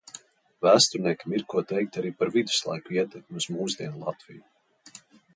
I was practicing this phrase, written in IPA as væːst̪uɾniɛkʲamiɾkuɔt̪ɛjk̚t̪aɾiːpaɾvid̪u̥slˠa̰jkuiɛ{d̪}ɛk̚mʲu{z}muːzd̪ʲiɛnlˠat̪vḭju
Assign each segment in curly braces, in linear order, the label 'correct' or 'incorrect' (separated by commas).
incorrect, correct